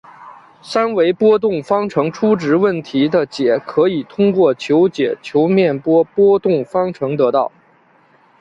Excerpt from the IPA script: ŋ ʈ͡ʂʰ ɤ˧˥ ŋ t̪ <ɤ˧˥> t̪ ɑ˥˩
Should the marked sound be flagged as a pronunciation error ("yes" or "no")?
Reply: no